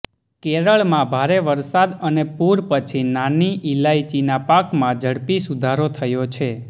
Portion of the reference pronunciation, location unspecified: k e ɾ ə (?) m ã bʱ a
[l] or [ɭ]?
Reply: ɭ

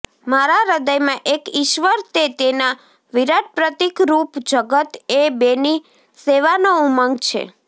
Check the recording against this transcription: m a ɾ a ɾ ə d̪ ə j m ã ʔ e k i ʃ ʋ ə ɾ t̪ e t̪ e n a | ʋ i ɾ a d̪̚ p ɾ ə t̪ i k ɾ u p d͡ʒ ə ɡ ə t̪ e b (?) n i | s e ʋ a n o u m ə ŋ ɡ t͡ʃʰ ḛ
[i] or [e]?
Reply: e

